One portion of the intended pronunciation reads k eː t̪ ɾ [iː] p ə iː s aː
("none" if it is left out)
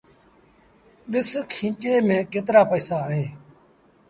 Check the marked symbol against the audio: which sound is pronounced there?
aː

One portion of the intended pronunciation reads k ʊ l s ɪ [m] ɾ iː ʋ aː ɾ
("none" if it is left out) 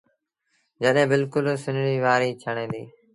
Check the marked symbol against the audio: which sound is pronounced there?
n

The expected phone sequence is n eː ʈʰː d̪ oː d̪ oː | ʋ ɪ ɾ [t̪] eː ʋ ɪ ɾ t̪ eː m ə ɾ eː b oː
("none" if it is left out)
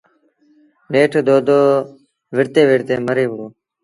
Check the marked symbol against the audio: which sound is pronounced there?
t̪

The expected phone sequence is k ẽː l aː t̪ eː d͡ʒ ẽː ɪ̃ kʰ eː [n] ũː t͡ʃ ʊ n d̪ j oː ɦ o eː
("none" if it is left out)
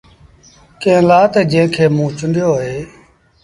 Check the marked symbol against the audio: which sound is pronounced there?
m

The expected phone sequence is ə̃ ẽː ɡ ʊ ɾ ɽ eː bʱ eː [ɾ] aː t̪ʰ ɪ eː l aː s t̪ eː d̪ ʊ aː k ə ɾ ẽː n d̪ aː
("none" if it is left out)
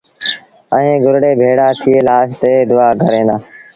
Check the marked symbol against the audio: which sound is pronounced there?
ɽ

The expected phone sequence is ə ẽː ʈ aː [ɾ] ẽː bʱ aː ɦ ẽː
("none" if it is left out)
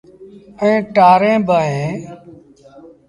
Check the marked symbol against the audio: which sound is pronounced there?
ɾ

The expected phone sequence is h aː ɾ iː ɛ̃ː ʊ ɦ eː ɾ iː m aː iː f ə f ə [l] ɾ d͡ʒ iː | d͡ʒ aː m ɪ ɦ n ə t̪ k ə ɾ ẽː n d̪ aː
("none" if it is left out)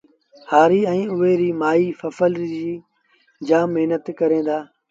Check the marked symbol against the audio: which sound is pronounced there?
l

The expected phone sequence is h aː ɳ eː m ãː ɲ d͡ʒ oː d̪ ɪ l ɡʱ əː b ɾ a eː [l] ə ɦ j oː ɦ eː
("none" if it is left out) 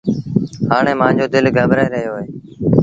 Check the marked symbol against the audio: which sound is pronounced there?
ɾ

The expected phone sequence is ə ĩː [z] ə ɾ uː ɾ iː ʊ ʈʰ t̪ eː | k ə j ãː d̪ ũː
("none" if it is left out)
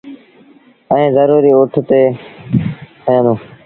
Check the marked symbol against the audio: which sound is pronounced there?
z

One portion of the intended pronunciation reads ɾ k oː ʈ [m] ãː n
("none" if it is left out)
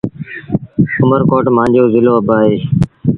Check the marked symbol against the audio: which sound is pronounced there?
m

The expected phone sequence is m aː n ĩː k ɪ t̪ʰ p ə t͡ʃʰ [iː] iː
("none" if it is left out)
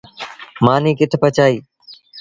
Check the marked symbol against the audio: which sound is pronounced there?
aː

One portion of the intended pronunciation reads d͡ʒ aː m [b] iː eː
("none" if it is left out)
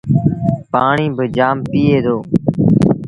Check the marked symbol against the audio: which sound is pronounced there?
p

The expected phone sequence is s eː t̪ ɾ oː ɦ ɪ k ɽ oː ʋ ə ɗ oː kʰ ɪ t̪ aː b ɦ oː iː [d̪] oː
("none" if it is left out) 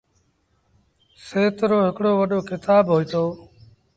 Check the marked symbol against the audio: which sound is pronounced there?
t̪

